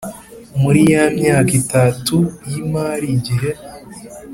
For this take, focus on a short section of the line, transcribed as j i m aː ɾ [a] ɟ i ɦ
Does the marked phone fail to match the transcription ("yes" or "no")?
yes